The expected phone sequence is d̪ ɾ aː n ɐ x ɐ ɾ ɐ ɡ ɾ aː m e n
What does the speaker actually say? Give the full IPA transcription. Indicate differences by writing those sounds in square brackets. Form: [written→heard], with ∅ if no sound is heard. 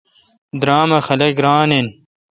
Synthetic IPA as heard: d̪ ɾ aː [n→m] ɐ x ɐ [ɾ→l] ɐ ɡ ɾ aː [m→n] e n